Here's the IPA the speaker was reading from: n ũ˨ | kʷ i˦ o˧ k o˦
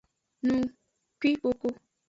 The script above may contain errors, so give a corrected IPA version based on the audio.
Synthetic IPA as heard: n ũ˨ | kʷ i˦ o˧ k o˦